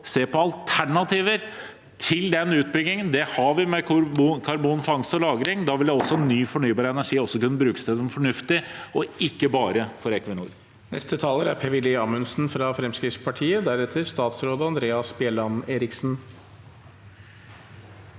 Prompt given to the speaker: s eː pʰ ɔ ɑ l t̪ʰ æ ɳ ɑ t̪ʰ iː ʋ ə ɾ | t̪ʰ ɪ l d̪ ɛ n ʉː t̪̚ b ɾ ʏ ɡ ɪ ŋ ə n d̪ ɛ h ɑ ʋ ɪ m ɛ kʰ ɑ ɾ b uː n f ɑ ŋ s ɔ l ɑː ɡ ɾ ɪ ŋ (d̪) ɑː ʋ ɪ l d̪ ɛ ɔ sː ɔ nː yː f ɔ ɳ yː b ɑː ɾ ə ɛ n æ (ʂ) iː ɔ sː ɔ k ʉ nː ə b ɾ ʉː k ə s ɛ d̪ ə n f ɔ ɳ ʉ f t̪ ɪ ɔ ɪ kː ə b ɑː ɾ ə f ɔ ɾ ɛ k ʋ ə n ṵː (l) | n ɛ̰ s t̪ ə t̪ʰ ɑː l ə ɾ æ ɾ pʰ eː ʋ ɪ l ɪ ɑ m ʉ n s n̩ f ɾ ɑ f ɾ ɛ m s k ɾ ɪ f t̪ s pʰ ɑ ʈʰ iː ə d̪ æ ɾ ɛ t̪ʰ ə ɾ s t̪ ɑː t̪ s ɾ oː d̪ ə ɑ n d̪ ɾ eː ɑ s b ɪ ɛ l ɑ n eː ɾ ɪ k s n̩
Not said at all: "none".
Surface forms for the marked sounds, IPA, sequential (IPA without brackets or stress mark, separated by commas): d̪, ʂ, ɾ